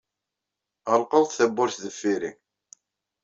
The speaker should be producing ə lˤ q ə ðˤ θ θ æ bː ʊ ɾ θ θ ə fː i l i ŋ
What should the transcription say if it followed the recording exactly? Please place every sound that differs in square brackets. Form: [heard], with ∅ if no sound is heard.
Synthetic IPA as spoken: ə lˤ q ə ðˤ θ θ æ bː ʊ ɾ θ [ð] ə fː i [ɾ] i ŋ